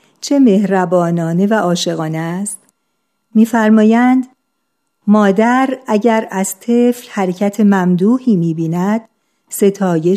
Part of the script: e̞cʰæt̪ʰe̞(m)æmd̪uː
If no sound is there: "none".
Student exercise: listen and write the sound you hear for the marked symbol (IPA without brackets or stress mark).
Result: m